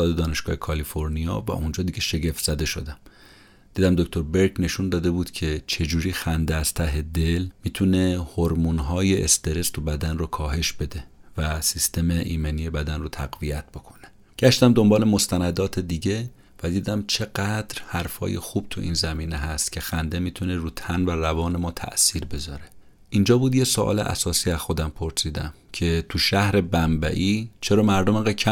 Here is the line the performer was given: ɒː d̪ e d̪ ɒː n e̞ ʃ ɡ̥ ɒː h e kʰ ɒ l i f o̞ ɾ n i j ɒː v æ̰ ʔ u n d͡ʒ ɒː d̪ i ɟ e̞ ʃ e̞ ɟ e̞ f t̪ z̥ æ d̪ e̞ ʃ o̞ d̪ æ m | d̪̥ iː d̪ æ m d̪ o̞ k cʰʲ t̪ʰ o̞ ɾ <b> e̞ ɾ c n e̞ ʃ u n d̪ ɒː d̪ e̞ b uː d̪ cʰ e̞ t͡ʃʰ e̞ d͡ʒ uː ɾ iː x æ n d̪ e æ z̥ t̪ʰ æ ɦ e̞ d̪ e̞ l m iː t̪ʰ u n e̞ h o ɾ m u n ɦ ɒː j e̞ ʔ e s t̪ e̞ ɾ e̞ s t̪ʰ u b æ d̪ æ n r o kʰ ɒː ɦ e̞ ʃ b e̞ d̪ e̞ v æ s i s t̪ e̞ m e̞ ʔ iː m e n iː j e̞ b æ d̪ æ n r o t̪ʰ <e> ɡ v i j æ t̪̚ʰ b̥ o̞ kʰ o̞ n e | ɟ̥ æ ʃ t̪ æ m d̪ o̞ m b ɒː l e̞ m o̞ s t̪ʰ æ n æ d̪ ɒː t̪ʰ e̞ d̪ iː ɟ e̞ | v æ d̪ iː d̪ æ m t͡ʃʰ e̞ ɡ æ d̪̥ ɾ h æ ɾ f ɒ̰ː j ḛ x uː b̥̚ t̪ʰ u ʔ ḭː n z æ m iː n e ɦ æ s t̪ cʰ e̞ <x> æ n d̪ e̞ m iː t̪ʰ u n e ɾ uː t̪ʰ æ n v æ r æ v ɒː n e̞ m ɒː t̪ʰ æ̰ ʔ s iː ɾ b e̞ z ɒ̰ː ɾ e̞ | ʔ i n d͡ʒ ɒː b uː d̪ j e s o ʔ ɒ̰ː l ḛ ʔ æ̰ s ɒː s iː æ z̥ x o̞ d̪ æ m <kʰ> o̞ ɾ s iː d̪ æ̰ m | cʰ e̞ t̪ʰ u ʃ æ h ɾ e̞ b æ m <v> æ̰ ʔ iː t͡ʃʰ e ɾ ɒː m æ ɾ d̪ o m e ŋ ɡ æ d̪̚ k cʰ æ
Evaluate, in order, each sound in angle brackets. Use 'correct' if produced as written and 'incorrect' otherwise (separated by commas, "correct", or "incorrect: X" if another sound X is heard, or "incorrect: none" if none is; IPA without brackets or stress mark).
correct, incorrect: æ, correct, incorrect: pʰ, incorrect: b